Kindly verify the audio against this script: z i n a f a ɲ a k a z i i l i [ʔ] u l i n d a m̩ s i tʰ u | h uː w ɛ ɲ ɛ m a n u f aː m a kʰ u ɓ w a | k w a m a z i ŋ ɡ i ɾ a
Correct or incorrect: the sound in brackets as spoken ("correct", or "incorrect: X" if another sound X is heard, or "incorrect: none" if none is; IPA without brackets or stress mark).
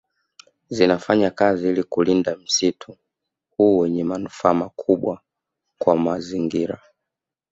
incorrect: k